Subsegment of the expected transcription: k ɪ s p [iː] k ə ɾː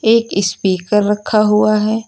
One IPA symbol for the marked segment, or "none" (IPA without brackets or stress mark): iː